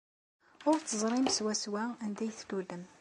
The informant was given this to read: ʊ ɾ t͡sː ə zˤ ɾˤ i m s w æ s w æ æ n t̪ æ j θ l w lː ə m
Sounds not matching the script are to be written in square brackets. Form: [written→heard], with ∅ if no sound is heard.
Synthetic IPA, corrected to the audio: ʊ ɾ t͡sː ə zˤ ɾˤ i m s w æ s w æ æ n [t̪→d̪] æ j θ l [w→u] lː ə m